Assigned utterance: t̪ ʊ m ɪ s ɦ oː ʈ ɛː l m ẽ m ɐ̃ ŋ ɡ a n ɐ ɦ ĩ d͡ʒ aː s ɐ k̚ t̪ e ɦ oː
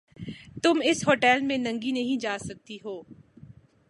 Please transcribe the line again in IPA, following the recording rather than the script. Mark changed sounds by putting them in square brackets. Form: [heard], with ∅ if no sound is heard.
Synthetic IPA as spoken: t̪ ʊ m ɪ s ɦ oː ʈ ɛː l m ẽ [n] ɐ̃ ŋ ɡ [i] n ɐ ɦ ĩ d͡ʒ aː s ɐ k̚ t̪ [i] ɦ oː